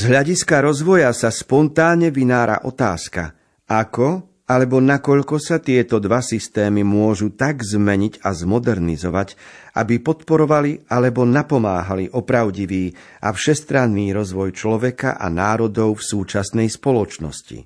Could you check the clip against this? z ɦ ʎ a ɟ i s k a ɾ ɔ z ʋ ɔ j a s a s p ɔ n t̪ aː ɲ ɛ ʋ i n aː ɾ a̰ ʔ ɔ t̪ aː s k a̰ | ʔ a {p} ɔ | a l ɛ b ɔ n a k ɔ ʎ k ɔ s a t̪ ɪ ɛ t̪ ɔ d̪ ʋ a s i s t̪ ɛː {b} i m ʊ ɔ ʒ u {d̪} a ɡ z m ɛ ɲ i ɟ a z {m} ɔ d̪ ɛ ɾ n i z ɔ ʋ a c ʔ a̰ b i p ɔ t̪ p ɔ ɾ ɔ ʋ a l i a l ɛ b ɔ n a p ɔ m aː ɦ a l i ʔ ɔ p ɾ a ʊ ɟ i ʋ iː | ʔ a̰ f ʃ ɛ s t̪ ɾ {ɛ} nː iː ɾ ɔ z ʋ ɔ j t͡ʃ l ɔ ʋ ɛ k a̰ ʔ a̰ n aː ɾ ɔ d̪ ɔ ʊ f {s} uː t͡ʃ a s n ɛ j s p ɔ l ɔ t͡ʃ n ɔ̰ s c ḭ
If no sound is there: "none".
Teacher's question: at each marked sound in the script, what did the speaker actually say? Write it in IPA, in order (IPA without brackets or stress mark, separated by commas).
k, m, t̪, m, a, s